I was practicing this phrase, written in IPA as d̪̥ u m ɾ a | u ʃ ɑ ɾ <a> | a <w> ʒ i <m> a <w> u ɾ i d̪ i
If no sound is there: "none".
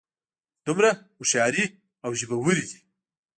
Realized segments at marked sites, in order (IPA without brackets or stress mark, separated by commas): i, w, b, w